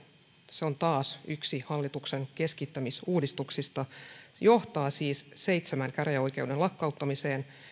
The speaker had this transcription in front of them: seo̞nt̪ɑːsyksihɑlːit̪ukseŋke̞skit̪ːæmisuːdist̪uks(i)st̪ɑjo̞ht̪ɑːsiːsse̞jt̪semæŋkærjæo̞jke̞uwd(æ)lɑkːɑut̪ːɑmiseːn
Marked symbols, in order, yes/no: yes, no

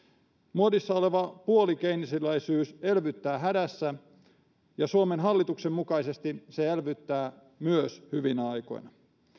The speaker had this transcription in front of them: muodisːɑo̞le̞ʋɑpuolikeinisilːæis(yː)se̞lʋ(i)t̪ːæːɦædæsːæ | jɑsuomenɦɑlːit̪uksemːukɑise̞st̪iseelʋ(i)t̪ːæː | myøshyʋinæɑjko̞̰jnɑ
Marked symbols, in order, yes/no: yes, no, no

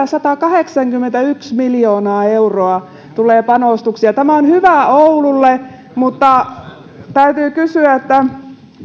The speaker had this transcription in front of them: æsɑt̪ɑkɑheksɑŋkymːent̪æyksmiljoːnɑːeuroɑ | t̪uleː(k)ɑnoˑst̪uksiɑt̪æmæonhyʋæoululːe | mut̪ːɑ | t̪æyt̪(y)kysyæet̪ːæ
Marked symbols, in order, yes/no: no, no

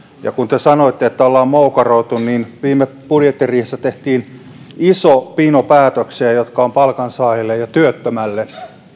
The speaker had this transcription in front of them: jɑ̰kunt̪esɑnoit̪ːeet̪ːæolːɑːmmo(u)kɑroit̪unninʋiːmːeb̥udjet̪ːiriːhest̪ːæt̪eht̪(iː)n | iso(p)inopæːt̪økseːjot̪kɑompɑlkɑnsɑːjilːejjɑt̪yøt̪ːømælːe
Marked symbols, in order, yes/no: yes, yes, yes

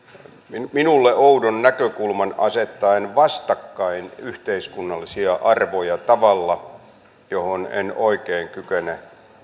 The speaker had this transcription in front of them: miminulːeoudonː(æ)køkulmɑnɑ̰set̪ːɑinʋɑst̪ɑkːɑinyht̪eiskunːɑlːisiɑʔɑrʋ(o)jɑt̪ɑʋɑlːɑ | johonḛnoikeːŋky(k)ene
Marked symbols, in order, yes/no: yes, yes, yes

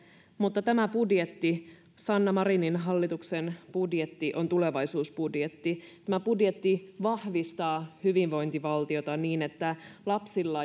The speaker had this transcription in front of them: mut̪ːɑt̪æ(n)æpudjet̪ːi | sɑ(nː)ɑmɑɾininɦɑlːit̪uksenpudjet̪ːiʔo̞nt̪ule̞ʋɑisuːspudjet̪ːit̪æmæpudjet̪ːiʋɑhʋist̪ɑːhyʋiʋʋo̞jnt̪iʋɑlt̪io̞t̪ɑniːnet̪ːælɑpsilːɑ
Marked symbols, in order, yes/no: no, yes

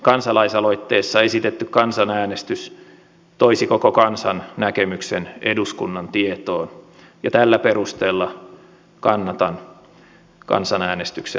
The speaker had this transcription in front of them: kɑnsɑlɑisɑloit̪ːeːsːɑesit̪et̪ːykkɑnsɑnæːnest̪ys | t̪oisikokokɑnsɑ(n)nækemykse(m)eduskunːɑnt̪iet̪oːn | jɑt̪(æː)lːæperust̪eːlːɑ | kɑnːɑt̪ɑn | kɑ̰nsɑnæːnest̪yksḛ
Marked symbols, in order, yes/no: yes, no, no

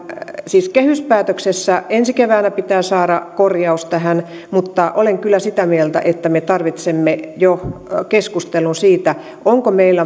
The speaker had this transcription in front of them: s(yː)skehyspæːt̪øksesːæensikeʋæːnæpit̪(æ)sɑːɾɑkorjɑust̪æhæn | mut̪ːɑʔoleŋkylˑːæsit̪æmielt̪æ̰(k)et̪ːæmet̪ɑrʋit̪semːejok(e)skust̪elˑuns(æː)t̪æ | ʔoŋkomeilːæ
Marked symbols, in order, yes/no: no, no, no, yes, no

